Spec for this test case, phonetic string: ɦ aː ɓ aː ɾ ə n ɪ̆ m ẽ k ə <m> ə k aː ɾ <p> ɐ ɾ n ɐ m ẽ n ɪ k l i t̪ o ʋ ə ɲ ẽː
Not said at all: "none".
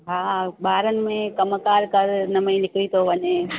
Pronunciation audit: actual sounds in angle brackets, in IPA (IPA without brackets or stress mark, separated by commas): m, k